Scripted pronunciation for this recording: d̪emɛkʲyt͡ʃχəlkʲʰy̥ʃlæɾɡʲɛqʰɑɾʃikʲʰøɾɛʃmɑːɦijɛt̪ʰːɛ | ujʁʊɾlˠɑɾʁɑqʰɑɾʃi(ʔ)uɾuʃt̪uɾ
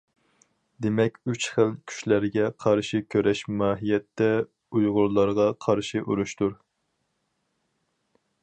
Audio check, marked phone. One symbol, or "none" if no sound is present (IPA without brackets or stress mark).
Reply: ʔ